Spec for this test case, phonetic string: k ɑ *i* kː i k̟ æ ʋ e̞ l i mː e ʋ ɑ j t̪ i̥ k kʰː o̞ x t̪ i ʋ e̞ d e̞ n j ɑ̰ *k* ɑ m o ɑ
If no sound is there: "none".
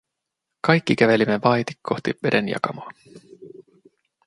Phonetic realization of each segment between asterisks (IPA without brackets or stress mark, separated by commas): j, k